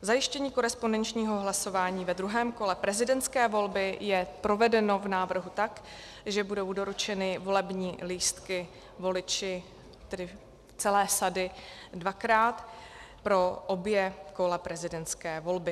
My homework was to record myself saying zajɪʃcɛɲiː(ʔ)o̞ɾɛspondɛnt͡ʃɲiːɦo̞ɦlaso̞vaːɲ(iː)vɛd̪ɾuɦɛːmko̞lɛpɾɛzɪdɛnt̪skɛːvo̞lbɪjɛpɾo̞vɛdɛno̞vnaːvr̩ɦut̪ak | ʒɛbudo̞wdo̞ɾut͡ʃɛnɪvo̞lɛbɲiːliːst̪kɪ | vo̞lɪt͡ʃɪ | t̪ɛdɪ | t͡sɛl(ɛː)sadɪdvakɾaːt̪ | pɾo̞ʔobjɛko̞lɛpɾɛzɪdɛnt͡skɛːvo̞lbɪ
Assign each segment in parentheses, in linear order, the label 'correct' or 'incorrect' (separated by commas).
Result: incorrect, correct, correct